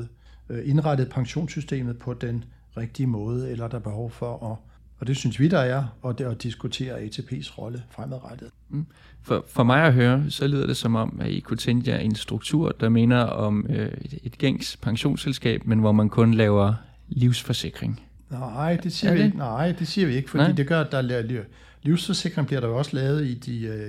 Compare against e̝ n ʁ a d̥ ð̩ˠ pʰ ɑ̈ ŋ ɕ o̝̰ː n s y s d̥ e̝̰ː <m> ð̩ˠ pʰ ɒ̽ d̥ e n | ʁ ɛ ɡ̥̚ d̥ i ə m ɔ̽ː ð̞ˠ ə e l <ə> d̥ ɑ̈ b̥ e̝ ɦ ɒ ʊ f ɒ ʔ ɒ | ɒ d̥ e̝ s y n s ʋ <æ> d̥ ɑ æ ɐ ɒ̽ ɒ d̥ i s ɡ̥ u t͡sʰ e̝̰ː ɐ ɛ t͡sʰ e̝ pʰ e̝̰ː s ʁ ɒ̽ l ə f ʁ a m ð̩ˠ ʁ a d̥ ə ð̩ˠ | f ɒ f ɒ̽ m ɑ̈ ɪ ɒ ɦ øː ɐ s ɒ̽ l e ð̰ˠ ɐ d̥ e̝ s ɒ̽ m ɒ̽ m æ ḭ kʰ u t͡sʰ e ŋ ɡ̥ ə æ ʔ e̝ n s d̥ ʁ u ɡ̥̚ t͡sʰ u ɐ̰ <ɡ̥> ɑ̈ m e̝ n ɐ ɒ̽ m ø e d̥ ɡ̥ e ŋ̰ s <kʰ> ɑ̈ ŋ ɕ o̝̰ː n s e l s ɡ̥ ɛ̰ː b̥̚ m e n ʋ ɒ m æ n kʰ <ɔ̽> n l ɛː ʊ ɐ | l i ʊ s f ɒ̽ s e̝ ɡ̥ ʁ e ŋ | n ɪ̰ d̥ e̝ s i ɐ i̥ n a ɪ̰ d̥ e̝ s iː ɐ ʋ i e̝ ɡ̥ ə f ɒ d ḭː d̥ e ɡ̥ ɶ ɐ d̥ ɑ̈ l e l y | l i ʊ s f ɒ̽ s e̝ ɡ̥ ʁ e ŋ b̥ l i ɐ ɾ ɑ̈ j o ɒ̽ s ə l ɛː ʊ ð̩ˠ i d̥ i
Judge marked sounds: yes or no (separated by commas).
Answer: yes, no, no, no, no, yes